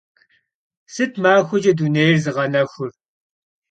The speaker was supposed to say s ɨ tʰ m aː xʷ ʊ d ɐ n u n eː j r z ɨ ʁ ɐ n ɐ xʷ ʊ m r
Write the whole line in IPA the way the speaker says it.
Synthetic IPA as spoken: s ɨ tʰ m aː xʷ ʊ d͡ʒ ɐ d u n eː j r z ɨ ʁ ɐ n ɐ xʷ ʊ r